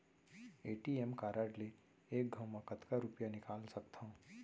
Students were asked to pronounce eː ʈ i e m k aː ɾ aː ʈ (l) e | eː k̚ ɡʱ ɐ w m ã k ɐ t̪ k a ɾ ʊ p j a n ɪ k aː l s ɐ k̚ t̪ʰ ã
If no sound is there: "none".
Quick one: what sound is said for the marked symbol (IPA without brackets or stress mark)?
l